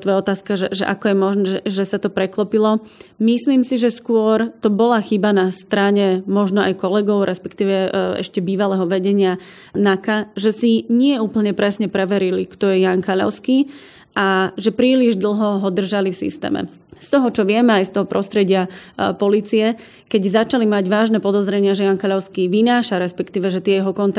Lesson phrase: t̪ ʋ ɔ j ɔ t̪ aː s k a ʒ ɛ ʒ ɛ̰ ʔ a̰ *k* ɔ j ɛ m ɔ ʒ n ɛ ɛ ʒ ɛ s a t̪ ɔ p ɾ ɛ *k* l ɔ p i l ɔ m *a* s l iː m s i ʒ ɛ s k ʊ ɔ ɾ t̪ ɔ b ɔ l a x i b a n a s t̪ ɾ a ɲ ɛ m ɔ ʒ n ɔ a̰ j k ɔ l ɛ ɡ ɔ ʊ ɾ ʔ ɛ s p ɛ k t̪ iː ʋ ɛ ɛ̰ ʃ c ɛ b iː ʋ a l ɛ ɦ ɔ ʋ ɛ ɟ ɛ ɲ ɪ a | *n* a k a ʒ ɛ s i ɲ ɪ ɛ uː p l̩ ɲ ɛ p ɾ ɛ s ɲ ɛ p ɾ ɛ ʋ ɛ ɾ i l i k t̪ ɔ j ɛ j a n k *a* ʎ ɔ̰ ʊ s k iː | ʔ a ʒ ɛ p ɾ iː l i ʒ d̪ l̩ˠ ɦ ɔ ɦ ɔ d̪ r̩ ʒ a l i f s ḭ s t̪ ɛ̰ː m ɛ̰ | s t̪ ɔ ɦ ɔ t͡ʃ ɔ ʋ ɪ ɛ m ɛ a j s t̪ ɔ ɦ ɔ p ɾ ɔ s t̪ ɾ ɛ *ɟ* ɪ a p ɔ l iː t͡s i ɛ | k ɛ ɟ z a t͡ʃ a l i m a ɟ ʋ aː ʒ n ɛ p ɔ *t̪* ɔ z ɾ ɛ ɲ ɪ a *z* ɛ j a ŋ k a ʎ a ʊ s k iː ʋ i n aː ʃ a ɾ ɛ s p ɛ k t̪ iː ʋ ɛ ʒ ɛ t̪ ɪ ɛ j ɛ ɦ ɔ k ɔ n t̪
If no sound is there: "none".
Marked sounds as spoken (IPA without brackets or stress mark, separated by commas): k, k, i, n, a, ɟ, d̪, ʒ